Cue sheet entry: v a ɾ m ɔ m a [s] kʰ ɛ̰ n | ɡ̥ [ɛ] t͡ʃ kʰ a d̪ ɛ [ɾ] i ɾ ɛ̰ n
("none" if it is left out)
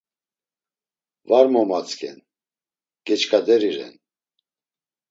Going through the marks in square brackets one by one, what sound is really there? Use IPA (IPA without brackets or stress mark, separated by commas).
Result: t͡s, ɛ, ɾ